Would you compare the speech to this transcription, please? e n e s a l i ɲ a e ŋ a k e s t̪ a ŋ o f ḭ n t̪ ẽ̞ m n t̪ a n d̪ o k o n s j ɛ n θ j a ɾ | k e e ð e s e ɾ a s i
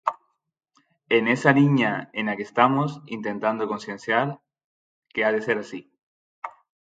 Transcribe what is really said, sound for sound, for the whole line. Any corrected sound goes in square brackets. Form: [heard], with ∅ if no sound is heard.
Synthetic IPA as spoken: e n e s a l i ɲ a e [n] a k e s t̪ a [m] o [s] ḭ n t̪ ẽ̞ [∅] n t̪ a n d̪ o k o n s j [e] n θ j a ɾ | k e [a] ð e s e ɾ a s i